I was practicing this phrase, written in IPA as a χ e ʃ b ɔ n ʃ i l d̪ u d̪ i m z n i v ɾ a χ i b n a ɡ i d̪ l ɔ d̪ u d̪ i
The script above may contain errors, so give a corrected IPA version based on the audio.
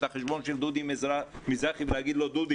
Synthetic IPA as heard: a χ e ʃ b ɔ n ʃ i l d̪ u d̪ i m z m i z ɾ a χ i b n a ɡ i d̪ l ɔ d̪ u d̪ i